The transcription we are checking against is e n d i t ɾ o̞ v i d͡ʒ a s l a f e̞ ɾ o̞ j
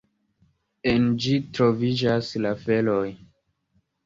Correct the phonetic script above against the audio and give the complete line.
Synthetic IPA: e n d͡ʒ i t ɾ o̞ v i d͡ʒ a s l a f e̞ l o̞ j